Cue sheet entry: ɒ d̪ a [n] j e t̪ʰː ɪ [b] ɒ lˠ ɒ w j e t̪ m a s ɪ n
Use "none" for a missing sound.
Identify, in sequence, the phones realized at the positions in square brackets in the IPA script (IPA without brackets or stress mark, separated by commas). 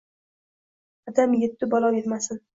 m, b